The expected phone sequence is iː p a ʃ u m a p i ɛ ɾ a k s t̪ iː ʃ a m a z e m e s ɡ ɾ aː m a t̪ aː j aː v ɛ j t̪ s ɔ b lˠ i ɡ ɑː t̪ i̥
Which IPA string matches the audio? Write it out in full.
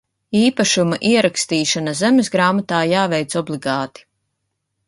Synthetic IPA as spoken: iː p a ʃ u m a ʔ i ɛ ɾ a k s t̪ iː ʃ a n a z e m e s ɡ ɾ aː m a t̪ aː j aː v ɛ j t̪ s ɔ b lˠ i ɡ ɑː t̪ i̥